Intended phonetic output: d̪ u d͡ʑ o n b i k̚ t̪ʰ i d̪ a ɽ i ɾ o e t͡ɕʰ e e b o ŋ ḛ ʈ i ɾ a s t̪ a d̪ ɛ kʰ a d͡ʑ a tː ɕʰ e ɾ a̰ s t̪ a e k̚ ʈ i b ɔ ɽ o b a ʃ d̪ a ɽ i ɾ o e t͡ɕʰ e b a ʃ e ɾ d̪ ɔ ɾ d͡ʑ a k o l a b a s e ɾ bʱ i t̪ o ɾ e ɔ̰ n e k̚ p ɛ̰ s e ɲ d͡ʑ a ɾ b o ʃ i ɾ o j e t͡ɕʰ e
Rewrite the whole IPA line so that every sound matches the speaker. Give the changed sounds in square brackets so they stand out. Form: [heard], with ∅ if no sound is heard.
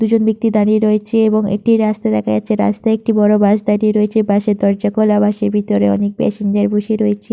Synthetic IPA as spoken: d̪ u d͡ʑ o n b i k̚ [t̪] i d̪ a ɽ i ɾ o e t͡ɕʰ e e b o ŋ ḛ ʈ i ɾ a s t̪ a d̪ ɛ kʰ a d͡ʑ a tː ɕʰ e ɾ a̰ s t̪ a e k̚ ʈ i b ɔ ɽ o b a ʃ d̪ a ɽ i ɾ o e t͡ɕʰ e b a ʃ e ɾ d̪ ɔ ɾ d͡ʑ a k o l a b a [ʃ] e ɾ bʱ i t̪ o ɾ e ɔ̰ n e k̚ p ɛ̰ s e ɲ d͡ʑ a ɾ b o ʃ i ɾ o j e t͡ɕʰ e